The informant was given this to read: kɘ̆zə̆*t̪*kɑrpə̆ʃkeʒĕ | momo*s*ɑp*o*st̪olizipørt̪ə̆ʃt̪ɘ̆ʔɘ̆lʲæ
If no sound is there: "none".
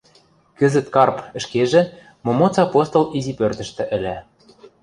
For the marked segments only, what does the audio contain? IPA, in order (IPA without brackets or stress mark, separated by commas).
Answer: t̪, t͡s, o